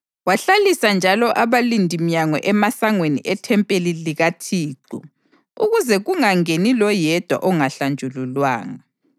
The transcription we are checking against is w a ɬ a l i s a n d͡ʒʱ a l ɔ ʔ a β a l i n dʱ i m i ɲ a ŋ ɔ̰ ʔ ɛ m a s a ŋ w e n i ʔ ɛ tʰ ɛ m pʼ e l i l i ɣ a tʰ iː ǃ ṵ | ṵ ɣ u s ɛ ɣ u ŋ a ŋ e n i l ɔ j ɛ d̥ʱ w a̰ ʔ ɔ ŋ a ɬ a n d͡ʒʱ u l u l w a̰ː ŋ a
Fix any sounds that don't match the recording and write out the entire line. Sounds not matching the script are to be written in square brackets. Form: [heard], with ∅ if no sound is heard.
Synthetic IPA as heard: w a ɬ a l i s a n d͡ʒʱ a l ɔ ʔ a β a l i n dʱ i m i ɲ a ŋ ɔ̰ ʔ ɛ m a s a ŋ w e n i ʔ ɛ tʰ ɛ m pʼ e l i l i ɣ a tʰ iː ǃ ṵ | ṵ ɣ u [z] ɛ ɣ u ŋ a ŋ e n i l ɔ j ɛ d̥ʱ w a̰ ʔ ɔ ŋ a ɬ a n d͡ʒʱ u l u l w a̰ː ŋ a